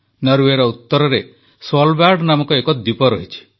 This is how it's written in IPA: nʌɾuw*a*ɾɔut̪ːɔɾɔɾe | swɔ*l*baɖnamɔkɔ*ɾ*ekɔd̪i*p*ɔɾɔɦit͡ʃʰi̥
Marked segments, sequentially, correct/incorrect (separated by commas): incorrect, correct, incorrect, correct